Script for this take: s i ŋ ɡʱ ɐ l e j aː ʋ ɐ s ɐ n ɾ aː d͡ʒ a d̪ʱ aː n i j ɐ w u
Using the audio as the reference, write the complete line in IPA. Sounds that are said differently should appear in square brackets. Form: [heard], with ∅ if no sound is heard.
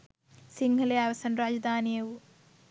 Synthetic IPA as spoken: s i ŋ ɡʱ ɐ l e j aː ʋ ɐ s ɐ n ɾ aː d͡ʒ [ɐ] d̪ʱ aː n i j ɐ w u